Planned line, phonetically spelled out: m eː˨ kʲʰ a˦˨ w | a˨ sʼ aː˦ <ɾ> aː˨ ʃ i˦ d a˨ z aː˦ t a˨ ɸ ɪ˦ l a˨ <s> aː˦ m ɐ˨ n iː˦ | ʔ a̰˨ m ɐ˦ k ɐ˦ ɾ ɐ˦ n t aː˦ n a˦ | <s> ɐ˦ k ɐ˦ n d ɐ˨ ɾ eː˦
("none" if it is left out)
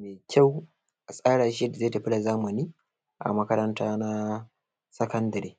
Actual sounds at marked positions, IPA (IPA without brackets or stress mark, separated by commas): ɽ, z, s